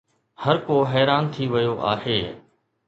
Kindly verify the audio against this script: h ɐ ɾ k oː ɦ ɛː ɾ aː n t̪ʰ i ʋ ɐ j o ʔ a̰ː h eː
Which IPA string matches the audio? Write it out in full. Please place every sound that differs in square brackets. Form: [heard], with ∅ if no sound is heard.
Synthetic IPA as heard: h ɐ ɾ k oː ɦ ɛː ɾ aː n t̪ʰ i ʋ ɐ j o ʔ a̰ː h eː